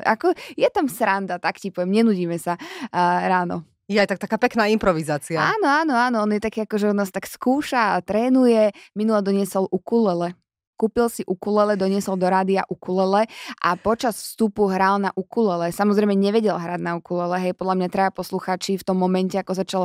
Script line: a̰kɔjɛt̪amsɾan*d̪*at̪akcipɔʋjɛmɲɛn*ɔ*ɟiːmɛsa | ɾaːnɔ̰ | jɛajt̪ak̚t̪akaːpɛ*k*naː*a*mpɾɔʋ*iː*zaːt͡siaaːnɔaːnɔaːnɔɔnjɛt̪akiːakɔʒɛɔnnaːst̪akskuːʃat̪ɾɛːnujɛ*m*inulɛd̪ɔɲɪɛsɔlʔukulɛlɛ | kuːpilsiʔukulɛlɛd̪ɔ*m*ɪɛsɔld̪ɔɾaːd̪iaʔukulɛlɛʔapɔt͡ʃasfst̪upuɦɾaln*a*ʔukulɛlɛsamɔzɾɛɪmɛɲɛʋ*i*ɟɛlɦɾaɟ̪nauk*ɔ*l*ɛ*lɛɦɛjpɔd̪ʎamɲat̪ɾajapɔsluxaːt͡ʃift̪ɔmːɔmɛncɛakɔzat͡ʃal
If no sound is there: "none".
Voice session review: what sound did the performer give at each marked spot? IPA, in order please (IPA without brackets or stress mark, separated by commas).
d̪, u, k, i, i, m, ɲ, a, ɛ, u, ɛ